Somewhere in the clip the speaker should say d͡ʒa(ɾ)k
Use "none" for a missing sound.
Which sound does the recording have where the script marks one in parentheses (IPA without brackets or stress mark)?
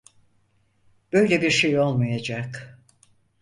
none